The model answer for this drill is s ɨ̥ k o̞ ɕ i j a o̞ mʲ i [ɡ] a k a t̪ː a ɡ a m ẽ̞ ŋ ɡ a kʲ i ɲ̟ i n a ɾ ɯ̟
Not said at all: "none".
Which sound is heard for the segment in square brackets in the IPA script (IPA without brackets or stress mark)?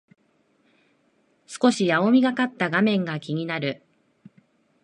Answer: ɡ